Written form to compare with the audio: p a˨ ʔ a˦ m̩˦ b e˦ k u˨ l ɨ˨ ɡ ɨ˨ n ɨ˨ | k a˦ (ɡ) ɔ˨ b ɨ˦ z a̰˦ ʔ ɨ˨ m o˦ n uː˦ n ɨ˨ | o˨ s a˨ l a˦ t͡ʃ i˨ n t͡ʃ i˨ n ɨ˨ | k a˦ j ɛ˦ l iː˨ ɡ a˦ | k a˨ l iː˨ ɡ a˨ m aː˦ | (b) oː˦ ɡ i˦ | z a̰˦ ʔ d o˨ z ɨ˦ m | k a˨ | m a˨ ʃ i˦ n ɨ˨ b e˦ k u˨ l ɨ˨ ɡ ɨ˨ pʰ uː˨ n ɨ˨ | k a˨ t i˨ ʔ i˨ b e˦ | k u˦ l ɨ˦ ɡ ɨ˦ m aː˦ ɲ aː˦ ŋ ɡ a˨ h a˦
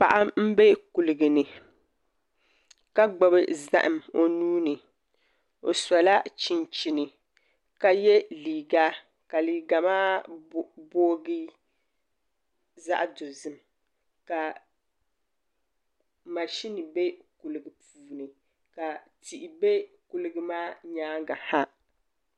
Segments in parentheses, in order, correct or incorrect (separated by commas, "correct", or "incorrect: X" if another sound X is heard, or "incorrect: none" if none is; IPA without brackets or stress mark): incorrect: ɡ͡b, correct